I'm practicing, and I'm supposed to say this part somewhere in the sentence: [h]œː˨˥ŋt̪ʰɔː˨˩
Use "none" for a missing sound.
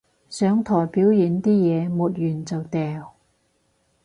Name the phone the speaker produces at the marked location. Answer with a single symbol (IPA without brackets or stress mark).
s